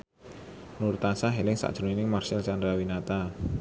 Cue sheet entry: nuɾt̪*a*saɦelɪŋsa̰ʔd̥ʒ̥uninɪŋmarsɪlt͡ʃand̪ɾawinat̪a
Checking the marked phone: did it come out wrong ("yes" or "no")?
no